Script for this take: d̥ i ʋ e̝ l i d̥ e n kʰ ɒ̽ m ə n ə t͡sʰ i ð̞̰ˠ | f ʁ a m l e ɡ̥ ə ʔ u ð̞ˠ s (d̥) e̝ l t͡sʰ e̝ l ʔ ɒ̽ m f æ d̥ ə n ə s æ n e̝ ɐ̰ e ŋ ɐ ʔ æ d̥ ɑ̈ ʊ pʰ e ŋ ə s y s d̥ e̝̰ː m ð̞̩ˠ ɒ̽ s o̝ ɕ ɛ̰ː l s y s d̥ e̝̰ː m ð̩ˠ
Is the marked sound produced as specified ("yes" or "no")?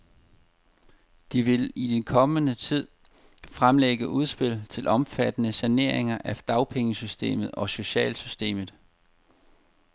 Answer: no